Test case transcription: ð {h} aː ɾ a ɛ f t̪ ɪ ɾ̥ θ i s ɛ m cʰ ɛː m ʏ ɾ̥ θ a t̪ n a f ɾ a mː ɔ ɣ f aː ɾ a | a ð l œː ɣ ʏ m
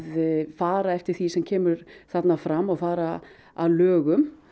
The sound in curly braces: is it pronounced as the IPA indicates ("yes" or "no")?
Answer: no